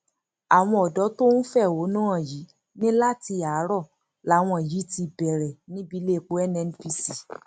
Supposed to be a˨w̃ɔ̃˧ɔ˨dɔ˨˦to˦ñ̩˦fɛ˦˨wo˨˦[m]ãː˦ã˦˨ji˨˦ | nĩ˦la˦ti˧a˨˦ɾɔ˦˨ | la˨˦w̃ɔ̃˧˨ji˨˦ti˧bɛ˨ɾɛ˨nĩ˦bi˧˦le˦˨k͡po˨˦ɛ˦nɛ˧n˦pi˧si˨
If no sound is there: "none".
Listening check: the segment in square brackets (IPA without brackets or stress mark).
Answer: n